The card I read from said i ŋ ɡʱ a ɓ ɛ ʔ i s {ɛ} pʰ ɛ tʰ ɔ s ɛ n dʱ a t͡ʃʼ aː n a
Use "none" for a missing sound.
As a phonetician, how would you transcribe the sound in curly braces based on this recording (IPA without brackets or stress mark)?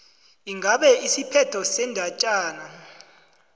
i